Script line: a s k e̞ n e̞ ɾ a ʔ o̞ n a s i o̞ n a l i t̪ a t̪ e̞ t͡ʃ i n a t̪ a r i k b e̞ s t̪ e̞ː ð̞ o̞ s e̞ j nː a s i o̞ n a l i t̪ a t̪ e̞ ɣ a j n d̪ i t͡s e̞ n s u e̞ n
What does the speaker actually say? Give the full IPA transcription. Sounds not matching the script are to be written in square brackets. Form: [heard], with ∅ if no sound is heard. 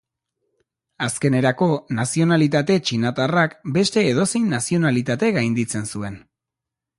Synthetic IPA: a s k e̞ n e̞ ɾ a [k] o̞ n a s i o̞ n a l i t̪ a t̪ e̞ t͡ʃ i n a t̪ a r [a] k b e̞ s t̪ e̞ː ð̞ o̞ s e̞ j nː a s i o̞ n a l i t̪ a t̪ e̞ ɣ a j n d̪ i t͡s e̞ n s u e̞ n